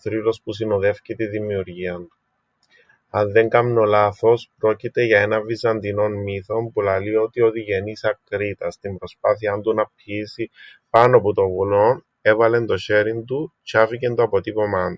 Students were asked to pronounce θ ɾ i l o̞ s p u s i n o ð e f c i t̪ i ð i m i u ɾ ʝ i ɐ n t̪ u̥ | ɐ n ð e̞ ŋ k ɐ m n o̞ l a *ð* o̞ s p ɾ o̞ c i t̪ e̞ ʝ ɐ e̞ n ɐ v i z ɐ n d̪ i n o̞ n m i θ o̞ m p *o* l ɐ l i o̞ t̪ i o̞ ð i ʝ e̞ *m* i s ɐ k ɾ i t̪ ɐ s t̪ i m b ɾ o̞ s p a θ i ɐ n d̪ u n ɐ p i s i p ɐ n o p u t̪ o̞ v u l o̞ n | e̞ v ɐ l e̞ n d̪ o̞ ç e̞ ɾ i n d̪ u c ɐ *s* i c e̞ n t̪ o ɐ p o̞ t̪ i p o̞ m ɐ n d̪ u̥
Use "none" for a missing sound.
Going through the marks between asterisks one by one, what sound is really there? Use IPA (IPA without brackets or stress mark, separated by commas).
θ, u, n, f